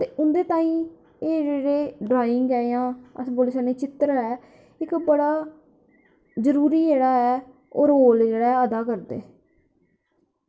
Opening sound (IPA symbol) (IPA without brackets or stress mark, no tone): t̪